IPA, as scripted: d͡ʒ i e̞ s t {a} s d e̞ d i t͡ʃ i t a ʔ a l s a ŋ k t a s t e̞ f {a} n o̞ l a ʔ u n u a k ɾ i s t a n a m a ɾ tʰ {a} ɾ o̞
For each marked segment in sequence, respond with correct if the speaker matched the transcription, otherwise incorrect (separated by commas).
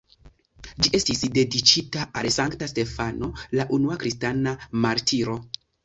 incorrect, correct, incorrect